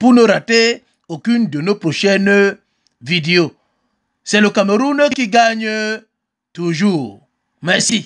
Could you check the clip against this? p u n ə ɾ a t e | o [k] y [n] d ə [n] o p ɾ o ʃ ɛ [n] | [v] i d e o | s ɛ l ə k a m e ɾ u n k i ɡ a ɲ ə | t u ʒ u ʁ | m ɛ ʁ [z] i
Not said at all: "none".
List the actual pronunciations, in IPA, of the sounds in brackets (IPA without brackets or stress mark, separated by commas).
k, n, n, n, v, s